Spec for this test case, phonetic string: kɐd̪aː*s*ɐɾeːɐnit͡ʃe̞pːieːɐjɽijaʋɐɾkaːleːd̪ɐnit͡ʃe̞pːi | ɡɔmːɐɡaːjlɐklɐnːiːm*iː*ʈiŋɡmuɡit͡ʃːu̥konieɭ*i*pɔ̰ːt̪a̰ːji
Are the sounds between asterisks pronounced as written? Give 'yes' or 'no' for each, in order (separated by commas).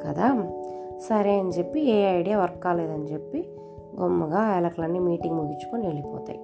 yes, yes, yes